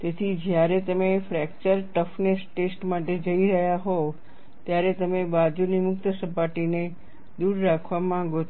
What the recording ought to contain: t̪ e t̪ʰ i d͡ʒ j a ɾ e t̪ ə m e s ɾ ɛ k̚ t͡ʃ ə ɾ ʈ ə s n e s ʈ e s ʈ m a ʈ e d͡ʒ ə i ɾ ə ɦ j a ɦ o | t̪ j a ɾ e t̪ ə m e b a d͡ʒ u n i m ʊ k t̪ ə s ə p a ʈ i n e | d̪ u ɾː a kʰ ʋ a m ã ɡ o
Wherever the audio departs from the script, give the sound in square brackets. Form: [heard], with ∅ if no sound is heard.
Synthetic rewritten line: t̪ e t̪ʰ i d͡ʒ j a ɾ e t̪ ə m e [f] ɾ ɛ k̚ t͡ʃ ə ɾ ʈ ə [f] n e s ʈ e s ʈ m a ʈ e d͡ʒ ə i ɾ ə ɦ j a ɦ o | t̪ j a ɾ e t̪ ə m e b a d͡ʒ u n i m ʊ k t̪ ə s ə p a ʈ i n e | d̪ u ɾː a kʰ ʋ a m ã ɡ o